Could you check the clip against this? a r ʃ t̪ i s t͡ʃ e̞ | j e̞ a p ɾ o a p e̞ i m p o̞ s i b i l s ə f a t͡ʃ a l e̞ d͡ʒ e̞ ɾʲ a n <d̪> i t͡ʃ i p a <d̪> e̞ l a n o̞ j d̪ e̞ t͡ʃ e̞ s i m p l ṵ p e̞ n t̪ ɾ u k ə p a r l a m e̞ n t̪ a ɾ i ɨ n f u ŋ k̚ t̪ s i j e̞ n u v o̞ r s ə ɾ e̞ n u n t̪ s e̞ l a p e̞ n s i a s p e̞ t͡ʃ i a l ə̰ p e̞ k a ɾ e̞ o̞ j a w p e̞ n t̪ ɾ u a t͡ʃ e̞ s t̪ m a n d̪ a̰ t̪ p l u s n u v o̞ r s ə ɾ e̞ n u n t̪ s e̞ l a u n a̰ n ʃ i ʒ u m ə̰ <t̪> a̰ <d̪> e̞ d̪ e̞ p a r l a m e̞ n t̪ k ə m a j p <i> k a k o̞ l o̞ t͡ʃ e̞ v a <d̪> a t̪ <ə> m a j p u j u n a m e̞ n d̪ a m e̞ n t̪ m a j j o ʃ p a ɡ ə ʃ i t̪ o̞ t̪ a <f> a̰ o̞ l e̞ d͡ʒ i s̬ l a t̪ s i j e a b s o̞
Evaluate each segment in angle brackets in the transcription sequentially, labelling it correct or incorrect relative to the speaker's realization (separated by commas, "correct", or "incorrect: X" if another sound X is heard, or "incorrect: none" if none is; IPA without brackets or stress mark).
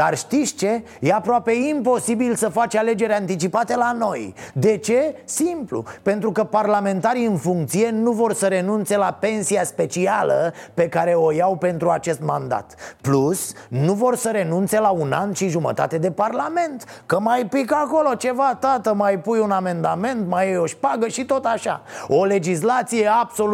incorrect: t̪, incorrect: t̪, correct, incorrect: t̪, correct, incorrect: t̪, correct, incorrect: ʃ